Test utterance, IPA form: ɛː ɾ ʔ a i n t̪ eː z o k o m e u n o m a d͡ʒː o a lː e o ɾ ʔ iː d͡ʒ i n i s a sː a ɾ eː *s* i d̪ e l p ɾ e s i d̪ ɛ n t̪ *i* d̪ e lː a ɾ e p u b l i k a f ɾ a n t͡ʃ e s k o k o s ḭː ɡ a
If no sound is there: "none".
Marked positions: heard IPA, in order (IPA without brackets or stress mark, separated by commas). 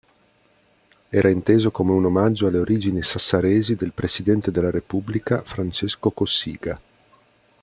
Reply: z, e